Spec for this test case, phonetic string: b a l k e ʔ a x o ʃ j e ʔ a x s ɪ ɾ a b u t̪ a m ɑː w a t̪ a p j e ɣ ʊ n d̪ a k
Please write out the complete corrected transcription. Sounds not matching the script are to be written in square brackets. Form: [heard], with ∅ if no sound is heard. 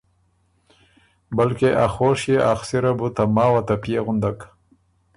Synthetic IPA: b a l k e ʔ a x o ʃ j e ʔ a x s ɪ ɾ a b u t̪ a m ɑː w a t̪ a p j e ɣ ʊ n d̪ a k